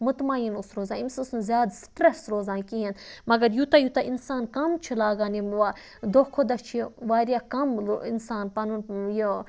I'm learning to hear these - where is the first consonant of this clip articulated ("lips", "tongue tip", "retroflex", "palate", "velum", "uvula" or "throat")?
lips